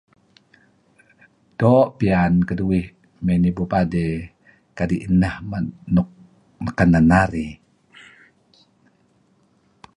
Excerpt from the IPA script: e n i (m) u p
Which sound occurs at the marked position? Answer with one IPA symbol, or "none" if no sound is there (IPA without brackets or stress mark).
b